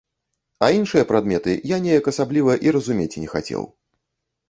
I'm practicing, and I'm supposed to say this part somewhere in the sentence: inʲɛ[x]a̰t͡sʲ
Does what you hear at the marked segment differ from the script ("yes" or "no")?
no